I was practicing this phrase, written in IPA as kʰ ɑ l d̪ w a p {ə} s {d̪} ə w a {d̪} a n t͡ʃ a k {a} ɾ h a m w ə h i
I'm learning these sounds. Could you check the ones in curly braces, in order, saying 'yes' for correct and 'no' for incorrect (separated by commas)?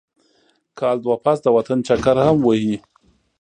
no, yes, no, yes